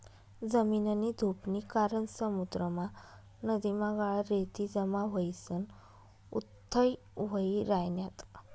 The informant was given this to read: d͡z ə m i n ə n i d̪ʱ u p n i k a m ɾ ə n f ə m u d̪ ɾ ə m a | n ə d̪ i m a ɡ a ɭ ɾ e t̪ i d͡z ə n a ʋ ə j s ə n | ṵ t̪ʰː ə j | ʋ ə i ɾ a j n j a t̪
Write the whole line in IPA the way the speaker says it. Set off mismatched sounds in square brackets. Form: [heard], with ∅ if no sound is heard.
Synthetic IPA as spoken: d͡z ə m i n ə n i d̪ʱ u p n i k a [∅] ɾ ə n [s] ə m u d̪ ɾ ə m a | n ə d̪ i m a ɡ a ɭ ɾ e t̪ i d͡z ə [m] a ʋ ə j s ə n | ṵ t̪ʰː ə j | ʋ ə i ɾ a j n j a t̪